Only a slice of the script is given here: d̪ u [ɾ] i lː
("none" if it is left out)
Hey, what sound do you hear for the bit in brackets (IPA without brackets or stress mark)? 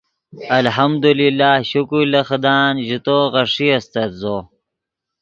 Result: l